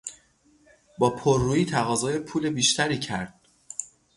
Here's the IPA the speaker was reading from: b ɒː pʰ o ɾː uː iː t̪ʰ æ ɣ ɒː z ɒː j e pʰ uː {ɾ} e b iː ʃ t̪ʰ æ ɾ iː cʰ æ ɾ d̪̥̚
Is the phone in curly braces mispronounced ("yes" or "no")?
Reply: yes